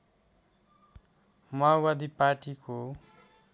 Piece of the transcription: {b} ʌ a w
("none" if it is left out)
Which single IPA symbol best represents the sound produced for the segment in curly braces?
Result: m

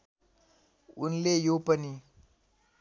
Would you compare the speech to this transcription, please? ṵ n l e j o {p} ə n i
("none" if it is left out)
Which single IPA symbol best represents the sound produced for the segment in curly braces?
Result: p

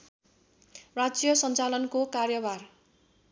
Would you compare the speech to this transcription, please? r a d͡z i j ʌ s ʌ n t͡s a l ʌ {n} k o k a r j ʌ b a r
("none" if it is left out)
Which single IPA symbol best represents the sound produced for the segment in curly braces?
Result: n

